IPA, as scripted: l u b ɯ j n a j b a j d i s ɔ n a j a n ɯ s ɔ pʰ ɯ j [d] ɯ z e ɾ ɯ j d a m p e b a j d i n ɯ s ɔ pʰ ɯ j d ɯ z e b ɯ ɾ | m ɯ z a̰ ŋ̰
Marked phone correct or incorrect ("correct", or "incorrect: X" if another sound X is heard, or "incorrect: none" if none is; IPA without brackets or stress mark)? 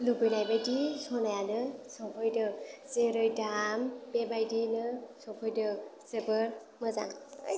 correct